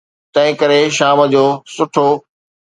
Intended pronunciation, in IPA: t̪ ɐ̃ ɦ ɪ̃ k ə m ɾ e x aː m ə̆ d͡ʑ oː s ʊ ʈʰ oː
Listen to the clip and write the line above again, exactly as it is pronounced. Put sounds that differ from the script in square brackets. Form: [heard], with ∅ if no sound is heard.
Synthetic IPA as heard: t̪ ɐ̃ ɦ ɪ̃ k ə [∅] ɾ e [ʃ] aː m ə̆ d͡ʑ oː s ʊ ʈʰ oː